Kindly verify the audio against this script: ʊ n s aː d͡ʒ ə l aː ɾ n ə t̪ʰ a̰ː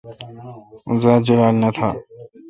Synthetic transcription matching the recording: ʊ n z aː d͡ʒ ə l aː l n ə t̪ʰ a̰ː